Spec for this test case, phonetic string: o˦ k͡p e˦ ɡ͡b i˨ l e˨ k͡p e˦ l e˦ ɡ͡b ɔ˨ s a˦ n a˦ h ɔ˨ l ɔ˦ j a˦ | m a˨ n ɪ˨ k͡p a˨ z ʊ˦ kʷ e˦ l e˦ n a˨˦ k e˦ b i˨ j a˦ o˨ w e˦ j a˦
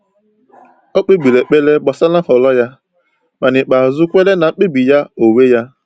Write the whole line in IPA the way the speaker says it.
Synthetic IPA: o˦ k͡p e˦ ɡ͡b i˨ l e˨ k͡p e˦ l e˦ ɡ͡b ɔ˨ s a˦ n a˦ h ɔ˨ l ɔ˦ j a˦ | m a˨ n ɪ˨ k͡p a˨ z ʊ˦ kʷ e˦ l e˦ n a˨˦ k͡p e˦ b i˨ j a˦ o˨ w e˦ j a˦